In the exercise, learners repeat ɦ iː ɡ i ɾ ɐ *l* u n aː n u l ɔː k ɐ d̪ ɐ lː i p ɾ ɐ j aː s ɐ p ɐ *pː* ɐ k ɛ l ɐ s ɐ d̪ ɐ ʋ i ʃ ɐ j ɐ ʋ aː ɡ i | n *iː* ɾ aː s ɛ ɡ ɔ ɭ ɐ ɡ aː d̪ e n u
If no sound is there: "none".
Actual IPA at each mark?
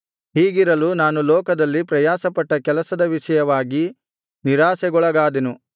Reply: l, ʈː, i

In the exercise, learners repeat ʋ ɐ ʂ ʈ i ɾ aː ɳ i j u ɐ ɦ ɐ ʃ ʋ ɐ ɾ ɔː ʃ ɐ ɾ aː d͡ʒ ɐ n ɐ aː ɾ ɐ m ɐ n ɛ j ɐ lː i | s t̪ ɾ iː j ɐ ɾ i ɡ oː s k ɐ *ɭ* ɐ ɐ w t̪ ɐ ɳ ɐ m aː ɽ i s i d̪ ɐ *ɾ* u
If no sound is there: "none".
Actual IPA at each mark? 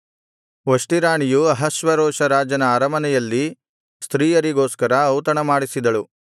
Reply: ɾ, ɭ

